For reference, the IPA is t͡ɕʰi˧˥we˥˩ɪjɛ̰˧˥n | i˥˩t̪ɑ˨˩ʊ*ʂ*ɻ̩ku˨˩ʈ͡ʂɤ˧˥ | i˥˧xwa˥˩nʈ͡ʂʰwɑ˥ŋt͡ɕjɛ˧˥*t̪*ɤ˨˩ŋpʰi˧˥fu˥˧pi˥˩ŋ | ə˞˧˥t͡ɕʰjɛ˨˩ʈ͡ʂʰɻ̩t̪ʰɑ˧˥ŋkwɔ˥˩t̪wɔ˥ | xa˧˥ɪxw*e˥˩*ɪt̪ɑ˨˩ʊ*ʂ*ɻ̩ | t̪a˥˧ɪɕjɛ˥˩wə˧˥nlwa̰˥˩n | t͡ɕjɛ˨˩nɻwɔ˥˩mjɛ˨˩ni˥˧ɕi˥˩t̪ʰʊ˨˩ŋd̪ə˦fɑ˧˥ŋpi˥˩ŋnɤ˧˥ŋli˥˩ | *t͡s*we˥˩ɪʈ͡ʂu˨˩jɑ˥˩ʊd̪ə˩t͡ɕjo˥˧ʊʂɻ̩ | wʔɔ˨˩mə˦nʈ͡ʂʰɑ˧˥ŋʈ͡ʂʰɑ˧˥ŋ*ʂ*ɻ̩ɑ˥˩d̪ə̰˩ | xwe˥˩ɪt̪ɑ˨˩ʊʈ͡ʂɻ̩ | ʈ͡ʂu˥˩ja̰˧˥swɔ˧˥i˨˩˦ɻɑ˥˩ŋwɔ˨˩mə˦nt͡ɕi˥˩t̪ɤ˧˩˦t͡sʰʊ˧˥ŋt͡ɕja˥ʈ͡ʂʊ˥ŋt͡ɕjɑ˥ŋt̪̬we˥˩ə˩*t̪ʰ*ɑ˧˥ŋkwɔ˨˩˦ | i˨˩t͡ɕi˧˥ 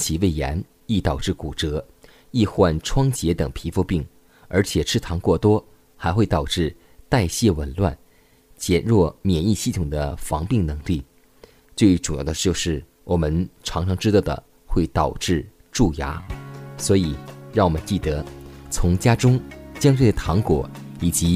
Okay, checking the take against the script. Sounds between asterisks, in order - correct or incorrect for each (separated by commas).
incorrect, correct, correct, incorrect, correct, incorrect, correct